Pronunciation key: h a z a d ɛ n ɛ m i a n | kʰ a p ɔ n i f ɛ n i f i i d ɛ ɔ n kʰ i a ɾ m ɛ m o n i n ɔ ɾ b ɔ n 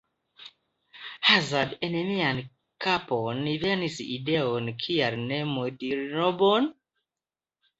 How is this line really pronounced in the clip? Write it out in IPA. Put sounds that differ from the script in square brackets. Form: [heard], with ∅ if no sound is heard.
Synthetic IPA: h a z a d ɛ n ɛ m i a n | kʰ a p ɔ n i [v] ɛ n i [s] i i d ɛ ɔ n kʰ i a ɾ [n] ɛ m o [d] i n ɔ [∅] b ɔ n